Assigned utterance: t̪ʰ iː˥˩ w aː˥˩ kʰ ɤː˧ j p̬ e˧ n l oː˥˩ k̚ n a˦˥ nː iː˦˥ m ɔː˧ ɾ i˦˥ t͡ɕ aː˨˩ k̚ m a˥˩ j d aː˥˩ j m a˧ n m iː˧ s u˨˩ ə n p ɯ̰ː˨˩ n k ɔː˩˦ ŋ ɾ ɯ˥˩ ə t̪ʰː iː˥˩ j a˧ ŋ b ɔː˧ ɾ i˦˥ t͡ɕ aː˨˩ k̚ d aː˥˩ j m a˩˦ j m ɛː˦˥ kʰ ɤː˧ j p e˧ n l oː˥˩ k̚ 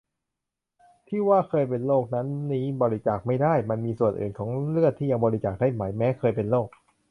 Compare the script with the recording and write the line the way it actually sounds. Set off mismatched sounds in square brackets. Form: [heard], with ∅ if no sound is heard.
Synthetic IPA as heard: t̪ʰ iː˥˩ w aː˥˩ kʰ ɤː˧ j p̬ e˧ n l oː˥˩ k̚ n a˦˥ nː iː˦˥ [b] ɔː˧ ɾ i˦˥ t͡ɕ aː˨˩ k̚ m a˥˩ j d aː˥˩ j m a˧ n m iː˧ s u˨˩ ə n [ʔ] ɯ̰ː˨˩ n [kʰ] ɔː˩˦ ŋ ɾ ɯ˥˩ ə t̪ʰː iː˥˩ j a˧ ŋ b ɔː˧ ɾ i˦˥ t͡ɕ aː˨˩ k̚ d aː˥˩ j m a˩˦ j m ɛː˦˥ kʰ ɤː˧ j p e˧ n l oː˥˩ k̚